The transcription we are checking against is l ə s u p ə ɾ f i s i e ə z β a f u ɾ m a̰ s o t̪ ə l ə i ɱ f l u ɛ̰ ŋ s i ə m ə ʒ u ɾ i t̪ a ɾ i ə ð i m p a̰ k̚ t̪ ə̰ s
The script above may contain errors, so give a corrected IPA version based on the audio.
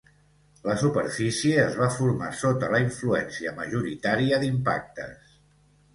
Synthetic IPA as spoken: l ə s u p ə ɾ f i s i e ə z β a f u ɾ m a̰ s o t̪ ə l ə i ɱ f l u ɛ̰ n s i ə m ə ʒ u ɾ i t̪ a ɾ i ə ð i m p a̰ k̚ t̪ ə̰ s